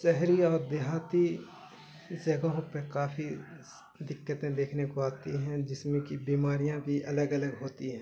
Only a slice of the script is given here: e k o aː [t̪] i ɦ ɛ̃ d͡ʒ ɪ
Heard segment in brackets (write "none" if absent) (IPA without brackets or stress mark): t̪